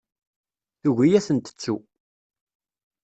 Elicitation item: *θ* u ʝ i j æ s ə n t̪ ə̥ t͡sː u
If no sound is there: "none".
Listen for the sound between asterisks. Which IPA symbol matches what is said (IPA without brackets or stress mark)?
θ